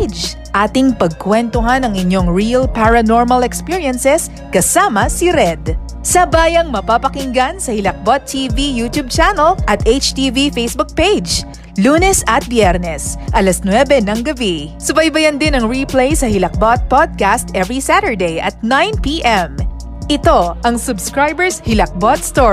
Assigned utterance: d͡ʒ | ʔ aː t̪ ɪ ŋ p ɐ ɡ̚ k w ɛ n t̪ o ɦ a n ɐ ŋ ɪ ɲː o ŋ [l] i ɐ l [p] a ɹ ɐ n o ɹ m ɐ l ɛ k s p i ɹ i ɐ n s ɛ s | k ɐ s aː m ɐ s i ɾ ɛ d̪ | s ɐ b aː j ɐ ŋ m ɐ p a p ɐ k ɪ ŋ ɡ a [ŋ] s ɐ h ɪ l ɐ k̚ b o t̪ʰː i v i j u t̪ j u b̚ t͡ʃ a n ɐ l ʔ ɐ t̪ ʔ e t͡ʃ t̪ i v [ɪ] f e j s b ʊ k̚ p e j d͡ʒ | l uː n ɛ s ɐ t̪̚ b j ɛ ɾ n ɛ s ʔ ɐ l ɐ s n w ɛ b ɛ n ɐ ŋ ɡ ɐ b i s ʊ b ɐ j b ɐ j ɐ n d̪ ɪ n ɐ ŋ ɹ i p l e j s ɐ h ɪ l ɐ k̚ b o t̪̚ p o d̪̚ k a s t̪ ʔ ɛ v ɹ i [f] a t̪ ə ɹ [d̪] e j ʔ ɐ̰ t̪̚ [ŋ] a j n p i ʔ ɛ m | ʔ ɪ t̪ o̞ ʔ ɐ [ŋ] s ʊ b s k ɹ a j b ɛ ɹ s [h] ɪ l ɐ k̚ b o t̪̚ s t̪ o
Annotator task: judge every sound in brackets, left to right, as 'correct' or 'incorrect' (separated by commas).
incorrect, correct, incorrect, incorrect, incorrect, correct, incorrect, correct, correct